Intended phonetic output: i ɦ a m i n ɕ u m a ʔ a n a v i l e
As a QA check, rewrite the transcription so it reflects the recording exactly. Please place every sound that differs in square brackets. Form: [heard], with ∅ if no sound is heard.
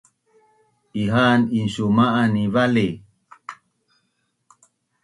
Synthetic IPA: i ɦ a [n] i n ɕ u m a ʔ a n [i] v [a] l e